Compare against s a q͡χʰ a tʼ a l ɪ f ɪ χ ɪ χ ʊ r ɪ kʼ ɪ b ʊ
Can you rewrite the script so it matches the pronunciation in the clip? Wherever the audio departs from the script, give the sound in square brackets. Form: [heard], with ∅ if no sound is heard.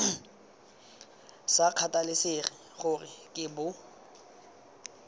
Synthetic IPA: s a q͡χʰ a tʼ a l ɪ [s] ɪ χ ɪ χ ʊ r ɪ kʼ ɪ b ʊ